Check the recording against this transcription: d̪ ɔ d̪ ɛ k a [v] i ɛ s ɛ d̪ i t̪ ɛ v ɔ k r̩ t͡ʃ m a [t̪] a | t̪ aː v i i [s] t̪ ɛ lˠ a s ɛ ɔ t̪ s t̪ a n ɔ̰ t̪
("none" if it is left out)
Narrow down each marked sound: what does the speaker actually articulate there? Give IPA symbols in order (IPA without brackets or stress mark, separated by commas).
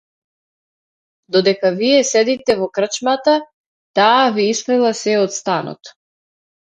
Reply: v, t̪, s